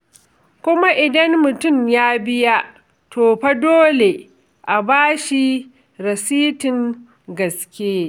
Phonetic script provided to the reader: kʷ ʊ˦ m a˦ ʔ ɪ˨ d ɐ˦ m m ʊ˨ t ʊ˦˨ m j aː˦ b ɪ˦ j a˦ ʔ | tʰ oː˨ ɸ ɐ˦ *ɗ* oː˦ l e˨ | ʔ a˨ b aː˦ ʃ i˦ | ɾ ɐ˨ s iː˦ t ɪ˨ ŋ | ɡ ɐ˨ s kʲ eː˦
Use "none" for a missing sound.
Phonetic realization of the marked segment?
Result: d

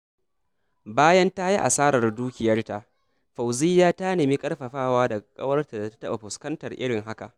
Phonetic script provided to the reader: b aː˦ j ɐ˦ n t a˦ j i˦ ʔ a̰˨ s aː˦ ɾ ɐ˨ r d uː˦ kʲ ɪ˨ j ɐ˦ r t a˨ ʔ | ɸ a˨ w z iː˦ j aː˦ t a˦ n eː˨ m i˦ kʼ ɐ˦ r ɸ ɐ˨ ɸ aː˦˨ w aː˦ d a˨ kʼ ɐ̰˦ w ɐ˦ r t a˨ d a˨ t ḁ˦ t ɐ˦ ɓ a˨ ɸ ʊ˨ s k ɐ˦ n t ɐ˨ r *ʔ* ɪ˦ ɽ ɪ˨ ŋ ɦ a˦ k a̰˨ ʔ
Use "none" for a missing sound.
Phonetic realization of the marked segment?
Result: ʔ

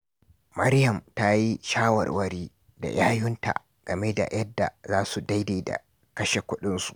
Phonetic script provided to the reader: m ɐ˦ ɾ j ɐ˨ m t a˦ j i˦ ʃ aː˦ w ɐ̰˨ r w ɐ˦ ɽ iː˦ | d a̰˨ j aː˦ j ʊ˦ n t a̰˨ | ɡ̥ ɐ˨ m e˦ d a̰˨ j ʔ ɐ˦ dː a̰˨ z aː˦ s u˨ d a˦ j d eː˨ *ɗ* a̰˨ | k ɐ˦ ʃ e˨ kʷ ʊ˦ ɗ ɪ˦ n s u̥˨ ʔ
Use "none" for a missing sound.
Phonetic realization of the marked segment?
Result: d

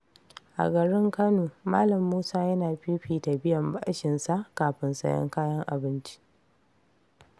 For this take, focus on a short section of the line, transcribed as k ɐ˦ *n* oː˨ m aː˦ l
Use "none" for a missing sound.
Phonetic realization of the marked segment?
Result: n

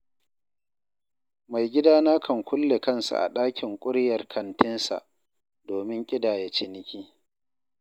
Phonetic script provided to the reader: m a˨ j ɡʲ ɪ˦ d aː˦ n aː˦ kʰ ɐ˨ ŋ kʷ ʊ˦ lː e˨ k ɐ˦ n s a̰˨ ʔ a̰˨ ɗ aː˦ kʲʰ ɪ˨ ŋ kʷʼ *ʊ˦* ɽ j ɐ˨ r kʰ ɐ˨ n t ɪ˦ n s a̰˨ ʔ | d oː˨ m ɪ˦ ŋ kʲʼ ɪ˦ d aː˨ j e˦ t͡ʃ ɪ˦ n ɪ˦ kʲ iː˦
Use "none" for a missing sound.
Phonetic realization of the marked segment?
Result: ʊ˦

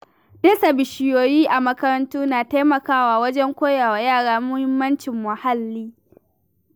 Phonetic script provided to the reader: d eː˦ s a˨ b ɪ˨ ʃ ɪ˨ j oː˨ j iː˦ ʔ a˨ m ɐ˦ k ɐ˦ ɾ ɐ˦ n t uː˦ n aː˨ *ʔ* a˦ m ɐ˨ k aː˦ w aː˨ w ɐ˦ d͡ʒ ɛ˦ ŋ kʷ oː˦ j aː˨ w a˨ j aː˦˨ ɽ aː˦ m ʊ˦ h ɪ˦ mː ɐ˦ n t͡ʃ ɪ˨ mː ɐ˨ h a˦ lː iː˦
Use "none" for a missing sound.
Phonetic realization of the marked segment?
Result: t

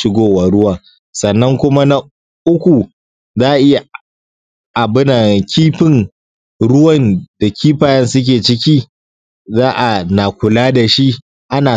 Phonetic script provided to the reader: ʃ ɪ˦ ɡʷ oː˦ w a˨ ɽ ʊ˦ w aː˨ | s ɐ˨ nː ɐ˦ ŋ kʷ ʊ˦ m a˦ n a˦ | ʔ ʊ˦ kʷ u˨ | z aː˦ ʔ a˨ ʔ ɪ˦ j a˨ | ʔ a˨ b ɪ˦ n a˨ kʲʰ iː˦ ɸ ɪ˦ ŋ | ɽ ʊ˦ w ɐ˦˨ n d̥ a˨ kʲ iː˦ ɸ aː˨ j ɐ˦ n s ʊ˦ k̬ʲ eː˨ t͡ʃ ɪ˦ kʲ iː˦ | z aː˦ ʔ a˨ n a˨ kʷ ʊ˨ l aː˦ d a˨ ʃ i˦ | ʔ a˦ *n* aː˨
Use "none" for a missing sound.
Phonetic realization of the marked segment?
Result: n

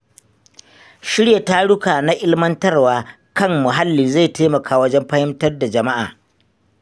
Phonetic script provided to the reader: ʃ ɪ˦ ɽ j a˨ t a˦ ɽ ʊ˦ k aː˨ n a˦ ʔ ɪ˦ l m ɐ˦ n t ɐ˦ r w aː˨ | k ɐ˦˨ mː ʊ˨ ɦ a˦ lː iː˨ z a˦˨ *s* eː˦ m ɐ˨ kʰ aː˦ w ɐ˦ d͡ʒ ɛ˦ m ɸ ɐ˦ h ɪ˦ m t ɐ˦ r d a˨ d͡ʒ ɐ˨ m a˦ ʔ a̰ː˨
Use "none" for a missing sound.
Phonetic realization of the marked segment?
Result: t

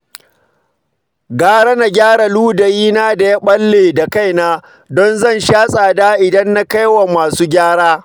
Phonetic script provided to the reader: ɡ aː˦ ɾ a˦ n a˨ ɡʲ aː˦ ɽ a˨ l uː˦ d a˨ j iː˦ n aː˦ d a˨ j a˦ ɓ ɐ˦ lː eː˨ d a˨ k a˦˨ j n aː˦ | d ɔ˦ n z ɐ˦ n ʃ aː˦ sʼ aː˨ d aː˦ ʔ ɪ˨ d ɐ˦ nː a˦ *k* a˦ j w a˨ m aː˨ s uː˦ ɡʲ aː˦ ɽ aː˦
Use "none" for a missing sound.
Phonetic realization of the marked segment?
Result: k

